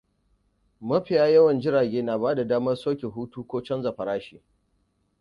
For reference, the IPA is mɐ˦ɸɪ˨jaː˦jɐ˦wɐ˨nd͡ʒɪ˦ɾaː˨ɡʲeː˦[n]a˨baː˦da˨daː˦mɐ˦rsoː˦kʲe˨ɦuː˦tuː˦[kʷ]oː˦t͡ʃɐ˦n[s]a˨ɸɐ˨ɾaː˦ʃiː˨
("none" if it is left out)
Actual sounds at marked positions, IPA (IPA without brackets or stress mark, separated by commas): n, kʷ, z